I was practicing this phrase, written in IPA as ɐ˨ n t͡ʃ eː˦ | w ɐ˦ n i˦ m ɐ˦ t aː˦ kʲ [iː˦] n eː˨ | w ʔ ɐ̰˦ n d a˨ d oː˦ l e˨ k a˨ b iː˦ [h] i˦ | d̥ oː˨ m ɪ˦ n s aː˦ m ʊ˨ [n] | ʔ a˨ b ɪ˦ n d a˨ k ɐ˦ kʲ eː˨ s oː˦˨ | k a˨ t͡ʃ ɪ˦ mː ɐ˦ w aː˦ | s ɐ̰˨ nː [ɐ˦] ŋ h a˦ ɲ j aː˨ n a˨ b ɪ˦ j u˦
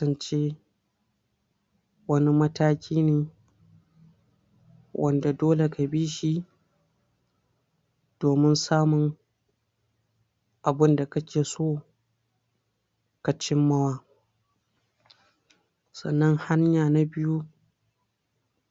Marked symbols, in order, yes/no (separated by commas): yes, no, yes, yes